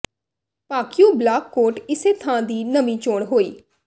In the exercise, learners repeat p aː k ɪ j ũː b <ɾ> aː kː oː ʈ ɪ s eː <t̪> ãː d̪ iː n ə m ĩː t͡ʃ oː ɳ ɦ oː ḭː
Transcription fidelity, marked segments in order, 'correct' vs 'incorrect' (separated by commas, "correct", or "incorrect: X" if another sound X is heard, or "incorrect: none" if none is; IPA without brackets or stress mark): incorrect: l, incorrect: t̪ʰ